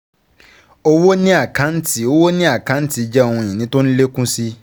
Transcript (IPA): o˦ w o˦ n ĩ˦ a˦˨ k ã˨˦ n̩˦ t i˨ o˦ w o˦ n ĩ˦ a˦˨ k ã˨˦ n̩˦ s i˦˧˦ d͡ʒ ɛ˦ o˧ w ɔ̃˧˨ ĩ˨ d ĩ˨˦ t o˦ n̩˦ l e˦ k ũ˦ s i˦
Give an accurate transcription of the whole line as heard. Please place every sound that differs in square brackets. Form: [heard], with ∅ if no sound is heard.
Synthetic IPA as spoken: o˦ w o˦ n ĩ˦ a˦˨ k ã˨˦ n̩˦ t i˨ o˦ w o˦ n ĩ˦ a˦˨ k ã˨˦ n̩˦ [t] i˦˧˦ d͡ʒ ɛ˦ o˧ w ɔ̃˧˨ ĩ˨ [n] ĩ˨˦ t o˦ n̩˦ l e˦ k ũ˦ s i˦